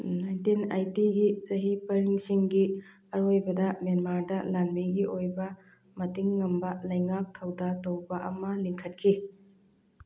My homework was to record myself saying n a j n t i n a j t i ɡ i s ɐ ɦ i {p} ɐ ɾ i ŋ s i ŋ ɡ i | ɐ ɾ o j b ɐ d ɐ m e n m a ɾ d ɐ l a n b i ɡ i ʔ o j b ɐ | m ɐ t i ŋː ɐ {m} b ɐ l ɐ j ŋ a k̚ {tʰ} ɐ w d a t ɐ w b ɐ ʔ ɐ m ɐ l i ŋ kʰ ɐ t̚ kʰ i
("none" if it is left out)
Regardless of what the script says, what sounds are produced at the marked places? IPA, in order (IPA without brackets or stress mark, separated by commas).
p, m, tʰ